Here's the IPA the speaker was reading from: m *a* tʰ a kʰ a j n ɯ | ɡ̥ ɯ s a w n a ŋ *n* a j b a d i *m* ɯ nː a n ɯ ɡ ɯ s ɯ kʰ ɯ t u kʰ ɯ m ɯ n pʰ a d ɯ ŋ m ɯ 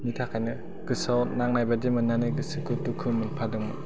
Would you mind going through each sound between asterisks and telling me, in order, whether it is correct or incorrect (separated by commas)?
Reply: incorrect, correct, correct